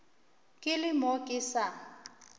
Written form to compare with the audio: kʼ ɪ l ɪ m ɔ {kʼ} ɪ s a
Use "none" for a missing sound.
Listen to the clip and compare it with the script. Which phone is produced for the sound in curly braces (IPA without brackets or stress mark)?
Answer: kʼ